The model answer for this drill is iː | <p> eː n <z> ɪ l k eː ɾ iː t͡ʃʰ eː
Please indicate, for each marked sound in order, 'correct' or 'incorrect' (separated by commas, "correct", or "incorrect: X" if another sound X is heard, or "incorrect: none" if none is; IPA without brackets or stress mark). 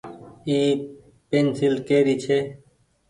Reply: correct, incorrect: s